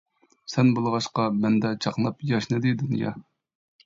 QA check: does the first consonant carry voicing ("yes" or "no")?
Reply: no